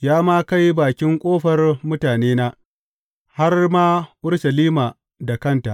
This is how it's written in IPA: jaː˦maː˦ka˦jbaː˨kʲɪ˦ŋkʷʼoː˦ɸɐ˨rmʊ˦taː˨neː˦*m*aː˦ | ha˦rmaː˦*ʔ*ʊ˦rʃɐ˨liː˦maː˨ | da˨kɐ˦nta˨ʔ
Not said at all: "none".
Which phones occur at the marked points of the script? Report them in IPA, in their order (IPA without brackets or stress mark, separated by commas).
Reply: n, ʔ